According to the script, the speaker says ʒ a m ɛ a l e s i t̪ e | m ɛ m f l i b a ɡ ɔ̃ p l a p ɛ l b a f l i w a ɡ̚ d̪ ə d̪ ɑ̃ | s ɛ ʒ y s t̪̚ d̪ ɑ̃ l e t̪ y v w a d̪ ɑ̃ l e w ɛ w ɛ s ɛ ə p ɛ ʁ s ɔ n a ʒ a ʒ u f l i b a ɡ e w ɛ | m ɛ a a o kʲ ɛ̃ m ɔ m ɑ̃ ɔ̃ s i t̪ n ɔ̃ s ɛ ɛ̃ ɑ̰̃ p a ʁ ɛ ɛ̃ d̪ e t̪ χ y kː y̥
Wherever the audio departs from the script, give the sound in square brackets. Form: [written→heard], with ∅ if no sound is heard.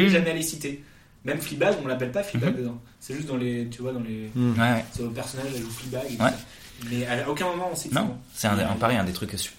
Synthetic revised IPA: ʒ a m ɛ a l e s i t̪ e | m ɛ m f l i b a ɡ ɔ̃ [p→∅] l a p ɛ l [b→p] a f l i [w→b] a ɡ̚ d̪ ə d̪ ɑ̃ | s ɛ ʒ y s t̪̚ d̪ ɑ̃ l e t̪ y v w a d̪ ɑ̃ l e w ɛ w ɛ s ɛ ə p ɛ ʁ s ɔ n a ʒ a ʒ u f l i b a ɡ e w ɛ | m ɛ a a o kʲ ɛ̃ m ɔ m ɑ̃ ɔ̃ s i t̪ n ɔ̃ s ɛ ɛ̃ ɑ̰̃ p a ʁ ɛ ɛ̃ d̪ e t̪ χ y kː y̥